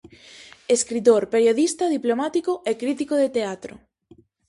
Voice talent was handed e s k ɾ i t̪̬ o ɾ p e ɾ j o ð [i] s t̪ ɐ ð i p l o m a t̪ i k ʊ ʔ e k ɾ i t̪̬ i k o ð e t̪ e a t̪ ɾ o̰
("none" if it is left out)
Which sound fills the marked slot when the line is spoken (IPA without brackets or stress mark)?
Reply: i